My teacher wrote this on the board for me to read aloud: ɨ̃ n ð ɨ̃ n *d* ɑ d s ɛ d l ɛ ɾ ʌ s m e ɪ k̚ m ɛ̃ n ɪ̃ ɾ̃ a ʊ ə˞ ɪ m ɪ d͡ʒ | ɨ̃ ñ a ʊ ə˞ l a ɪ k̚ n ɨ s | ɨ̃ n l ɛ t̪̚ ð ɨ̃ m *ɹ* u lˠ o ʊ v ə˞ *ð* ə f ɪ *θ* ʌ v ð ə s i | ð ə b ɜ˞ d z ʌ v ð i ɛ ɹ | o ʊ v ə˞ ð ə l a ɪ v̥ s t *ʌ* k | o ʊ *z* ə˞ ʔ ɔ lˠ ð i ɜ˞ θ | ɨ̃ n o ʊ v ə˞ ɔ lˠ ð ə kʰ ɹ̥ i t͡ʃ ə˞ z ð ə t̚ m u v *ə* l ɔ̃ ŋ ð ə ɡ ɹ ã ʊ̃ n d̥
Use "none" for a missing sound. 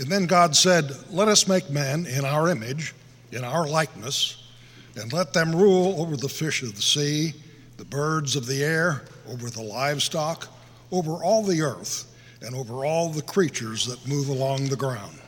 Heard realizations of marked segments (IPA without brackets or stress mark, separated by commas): ɡ, ɹ, ð, ʃ, ɑ, v, ə